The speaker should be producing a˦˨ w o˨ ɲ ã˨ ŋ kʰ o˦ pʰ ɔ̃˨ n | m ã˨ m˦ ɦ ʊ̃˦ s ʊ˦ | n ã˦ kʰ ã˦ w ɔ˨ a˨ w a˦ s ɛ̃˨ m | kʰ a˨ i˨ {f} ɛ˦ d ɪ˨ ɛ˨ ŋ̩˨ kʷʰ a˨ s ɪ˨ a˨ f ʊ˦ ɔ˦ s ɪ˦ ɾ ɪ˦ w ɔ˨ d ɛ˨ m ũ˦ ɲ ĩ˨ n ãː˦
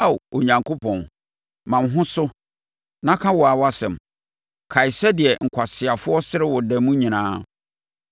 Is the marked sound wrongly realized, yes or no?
yes